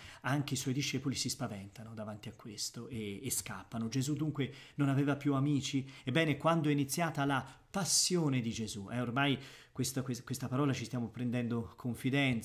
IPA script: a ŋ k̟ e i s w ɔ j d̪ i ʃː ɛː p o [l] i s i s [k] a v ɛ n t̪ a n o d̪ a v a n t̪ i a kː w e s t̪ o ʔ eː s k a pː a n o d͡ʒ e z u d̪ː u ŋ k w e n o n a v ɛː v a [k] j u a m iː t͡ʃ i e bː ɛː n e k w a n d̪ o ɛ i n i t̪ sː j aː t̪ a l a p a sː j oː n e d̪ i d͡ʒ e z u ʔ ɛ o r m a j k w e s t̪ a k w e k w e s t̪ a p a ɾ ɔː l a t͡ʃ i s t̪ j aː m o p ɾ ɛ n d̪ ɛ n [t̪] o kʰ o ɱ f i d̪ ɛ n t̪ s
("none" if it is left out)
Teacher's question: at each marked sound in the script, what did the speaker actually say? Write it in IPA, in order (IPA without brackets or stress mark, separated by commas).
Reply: l, p, p, d̪